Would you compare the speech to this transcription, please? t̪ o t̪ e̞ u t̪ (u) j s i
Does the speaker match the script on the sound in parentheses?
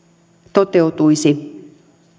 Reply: yes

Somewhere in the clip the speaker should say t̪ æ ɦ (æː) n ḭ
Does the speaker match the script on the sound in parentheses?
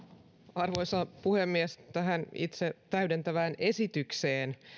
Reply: no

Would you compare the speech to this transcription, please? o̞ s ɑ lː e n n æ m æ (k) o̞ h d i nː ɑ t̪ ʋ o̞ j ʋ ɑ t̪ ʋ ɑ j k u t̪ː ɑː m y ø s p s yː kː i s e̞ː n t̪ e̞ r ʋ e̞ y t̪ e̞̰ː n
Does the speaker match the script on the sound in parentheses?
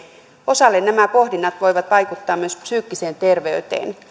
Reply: no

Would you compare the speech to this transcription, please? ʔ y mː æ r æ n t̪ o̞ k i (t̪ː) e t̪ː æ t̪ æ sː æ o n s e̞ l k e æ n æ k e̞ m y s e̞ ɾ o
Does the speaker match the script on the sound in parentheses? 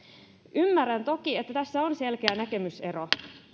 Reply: no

